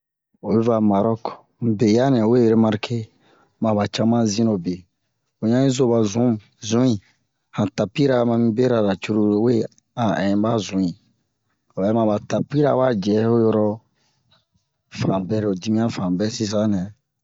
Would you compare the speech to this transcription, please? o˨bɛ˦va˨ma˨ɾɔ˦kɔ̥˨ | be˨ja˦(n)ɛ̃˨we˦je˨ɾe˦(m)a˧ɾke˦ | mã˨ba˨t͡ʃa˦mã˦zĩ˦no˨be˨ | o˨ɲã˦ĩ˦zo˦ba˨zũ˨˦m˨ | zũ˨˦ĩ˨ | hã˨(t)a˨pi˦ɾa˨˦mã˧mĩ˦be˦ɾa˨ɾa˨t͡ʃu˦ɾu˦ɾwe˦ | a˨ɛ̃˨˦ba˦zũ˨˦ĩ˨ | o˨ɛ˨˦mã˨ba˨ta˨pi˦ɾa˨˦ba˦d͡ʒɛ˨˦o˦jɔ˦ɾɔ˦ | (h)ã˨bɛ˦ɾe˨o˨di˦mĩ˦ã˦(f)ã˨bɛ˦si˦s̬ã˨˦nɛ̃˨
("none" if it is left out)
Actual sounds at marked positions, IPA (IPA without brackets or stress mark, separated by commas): n, m, t, f, f